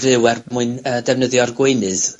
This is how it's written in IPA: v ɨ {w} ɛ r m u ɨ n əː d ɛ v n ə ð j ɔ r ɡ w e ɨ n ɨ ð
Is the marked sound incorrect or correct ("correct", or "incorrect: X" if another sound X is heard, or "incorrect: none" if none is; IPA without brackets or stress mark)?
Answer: correct